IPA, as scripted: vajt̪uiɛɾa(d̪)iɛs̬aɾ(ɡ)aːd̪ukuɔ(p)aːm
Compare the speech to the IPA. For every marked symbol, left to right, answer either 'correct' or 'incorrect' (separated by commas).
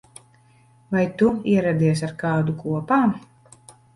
correct, incorrect, correct